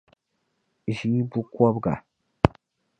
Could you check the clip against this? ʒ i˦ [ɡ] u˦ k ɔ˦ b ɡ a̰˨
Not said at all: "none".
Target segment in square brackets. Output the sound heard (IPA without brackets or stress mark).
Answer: b